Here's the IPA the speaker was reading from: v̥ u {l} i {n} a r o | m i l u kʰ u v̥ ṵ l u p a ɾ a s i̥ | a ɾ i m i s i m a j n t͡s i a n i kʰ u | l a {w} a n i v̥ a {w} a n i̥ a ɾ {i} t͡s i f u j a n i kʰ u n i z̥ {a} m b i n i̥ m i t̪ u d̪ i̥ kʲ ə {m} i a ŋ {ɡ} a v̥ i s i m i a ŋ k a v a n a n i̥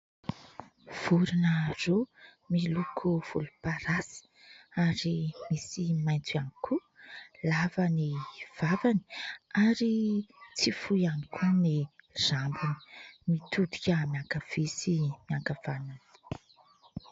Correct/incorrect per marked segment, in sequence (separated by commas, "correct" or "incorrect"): incorrect, correct, incorrect, incorrect, correct, correct, correct, incorrect